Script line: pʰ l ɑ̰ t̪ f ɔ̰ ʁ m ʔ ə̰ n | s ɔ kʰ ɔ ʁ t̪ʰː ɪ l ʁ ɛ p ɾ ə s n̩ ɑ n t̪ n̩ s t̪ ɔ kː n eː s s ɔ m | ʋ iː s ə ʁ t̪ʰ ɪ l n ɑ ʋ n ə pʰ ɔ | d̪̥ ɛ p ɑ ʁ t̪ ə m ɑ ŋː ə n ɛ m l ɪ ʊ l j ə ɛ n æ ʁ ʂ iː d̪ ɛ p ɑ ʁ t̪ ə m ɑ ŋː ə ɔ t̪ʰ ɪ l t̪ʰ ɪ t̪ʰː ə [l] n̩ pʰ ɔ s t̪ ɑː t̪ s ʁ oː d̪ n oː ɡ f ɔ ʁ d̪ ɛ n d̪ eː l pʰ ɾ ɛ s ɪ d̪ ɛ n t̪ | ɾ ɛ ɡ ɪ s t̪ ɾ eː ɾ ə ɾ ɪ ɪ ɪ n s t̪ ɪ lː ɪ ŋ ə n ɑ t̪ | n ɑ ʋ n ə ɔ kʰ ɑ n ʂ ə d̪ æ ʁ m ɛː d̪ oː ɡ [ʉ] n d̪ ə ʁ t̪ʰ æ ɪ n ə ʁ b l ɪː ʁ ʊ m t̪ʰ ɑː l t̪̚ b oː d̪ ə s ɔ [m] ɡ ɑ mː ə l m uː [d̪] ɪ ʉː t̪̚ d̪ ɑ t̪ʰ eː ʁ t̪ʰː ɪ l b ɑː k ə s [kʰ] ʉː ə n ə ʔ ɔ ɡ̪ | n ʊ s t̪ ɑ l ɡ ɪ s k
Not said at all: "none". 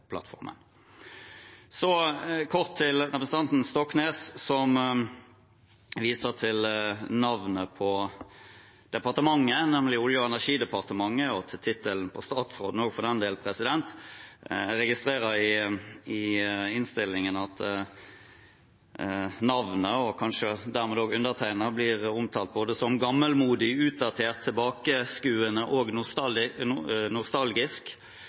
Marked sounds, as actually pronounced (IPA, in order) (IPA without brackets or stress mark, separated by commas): l, ʉ, m, d̪, k